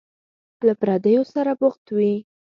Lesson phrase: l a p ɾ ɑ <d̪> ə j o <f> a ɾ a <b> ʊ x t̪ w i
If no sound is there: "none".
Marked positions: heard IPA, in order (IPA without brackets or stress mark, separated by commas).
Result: d̪, s, b